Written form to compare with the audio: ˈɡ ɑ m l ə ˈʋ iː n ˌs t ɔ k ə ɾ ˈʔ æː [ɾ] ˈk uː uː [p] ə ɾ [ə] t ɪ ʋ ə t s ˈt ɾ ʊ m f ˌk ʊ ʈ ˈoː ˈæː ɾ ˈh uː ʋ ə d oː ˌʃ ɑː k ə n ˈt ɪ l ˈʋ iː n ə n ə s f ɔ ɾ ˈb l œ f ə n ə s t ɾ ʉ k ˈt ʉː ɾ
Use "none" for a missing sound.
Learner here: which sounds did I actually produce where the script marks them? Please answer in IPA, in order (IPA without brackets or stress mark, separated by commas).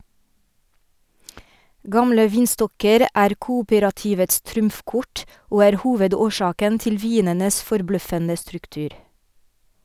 ɾ, p, ɑ